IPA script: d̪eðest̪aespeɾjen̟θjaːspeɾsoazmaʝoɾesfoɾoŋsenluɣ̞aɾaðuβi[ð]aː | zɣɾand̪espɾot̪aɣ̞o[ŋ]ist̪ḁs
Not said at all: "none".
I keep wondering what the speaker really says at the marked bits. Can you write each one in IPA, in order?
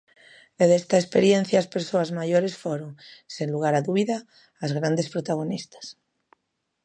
ð, n

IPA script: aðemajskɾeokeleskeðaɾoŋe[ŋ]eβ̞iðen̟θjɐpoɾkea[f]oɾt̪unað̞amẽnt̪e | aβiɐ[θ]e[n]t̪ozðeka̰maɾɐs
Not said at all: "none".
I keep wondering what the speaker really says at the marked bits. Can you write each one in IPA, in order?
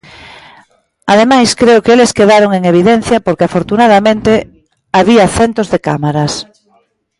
ŋ, f, θ, n

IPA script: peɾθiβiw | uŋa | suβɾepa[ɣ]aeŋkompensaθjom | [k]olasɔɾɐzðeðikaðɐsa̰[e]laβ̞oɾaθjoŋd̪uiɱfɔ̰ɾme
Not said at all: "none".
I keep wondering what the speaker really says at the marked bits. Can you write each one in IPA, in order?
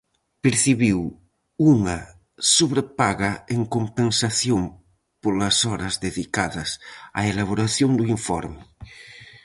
ɣ, p, e

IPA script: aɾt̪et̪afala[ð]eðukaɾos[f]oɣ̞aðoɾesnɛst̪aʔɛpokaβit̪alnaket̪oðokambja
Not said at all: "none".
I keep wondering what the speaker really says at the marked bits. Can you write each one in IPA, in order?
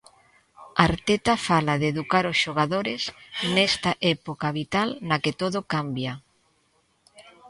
ð, ʃ

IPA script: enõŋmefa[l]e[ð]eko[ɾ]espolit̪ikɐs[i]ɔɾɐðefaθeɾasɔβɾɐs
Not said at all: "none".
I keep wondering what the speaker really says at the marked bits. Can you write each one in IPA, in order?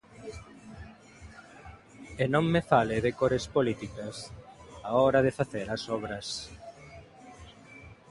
l, ð, ɾ, a

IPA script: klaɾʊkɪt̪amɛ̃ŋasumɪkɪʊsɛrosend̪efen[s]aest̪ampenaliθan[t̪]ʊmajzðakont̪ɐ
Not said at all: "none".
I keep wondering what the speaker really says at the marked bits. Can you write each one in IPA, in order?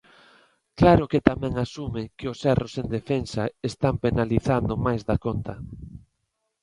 s, d̪

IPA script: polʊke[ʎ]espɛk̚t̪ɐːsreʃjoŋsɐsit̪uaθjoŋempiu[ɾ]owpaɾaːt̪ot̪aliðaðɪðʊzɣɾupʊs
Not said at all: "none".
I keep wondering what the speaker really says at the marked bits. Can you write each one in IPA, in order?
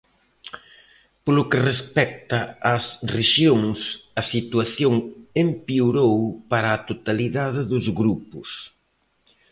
r, ɾ

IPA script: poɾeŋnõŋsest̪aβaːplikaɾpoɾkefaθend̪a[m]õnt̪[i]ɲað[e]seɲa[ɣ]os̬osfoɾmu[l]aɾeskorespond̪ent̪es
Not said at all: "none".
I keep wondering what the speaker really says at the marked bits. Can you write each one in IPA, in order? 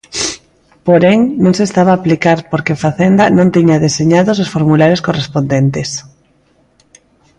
n, i, e, ð, l

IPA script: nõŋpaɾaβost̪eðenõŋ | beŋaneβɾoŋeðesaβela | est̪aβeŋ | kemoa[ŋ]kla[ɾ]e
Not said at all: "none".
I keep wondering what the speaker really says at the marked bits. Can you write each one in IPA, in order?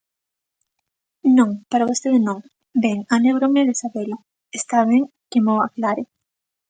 none, ɾ

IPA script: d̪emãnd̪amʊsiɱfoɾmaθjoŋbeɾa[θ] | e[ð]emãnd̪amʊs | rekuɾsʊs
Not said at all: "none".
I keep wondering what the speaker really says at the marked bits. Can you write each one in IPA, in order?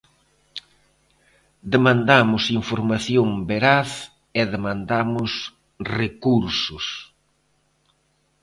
θ, ð

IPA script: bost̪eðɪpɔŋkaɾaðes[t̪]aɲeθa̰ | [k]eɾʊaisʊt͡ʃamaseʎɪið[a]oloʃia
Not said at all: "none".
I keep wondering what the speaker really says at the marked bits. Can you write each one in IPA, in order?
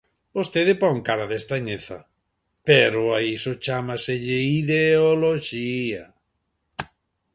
t̪, p, e

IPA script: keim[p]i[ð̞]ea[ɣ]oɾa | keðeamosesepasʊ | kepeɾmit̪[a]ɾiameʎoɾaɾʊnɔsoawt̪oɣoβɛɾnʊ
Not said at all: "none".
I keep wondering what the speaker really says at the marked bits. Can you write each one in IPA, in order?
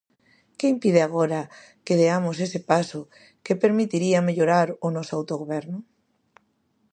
p, ð̞, ɣ, i

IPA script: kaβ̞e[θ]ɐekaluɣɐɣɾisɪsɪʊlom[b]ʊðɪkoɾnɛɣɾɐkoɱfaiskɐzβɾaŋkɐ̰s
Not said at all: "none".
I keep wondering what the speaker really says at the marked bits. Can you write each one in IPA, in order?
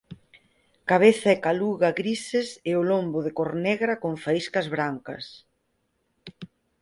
θ, b

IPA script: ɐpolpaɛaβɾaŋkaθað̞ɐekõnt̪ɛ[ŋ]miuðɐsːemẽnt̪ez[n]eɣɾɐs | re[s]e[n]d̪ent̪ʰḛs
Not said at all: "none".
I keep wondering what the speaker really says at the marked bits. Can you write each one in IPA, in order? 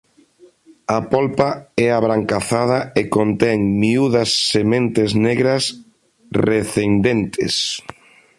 ŋ, n, θ, n

